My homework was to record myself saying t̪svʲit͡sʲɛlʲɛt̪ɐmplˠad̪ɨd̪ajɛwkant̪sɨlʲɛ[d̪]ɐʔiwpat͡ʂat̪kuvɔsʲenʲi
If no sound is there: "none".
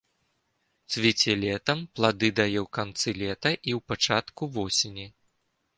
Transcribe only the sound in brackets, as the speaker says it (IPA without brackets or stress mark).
t̪